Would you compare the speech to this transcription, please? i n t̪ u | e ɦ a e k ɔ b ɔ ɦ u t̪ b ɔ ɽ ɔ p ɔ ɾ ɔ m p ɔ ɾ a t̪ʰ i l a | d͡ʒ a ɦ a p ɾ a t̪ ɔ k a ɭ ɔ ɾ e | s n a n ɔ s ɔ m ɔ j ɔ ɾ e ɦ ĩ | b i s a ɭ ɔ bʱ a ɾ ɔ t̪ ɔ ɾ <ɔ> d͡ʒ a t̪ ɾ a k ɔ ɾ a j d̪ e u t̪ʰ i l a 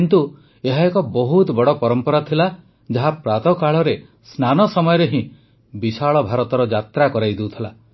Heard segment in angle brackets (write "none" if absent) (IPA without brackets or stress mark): ɔ